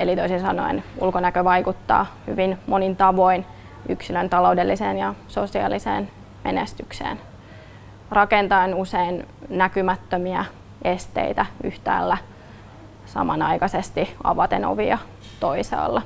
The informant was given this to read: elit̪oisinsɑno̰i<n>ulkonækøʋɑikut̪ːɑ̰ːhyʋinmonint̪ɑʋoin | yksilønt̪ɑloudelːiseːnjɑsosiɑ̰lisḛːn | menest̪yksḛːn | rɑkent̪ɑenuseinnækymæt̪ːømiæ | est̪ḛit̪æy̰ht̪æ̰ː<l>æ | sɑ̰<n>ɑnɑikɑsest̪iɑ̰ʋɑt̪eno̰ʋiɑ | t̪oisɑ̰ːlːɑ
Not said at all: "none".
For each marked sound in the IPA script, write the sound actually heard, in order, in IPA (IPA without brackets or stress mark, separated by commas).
n, lː, m